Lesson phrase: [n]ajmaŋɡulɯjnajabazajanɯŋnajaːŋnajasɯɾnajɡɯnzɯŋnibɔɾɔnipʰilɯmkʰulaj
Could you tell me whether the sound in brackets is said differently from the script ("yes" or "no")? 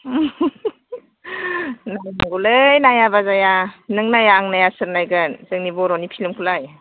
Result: no